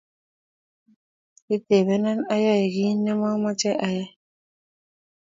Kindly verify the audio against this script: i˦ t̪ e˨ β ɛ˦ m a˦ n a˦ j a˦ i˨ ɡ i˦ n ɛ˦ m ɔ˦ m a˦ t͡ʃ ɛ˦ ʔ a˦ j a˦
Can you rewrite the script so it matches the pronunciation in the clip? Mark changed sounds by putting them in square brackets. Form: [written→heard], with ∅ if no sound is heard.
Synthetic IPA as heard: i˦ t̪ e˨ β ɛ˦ [m→n] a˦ n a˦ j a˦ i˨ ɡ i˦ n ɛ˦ m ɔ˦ m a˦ t͡ʃ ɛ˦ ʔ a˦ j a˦